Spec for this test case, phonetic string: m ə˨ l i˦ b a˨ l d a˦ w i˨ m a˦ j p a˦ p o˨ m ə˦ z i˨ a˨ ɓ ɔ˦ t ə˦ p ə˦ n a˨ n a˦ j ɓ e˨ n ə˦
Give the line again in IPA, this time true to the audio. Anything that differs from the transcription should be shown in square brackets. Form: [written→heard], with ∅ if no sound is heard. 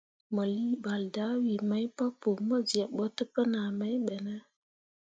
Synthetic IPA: m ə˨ l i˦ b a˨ l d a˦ w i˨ m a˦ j p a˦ p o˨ m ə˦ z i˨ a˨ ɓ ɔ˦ t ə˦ p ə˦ n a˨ [n→m] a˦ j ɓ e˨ n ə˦